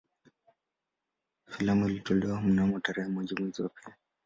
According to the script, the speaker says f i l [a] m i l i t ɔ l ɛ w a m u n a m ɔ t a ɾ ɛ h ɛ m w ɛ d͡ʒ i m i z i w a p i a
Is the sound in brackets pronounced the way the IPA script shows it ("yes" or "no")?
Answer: yes